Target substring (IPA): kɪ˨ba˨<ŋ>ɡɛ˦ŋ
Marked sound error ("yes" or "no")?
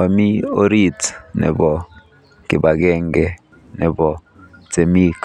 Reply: yes